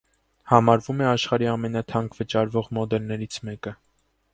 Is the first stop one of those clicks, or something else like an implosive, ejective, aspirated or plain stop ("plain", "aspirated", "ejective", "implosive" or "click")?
aspirated